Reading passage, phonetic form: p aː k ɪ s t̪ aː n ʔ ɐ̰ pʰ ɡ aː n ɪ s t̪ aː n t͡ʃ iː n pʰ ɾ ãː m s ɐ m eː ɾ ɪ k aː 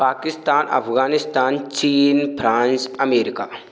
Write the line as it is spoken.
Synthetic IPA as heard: p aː k ɪ s t̪ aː n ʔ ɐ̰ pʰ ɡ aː n ɪ s t̪ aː n t͡ʃ iː n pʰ ɾ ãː n s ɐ m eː ɾ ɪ k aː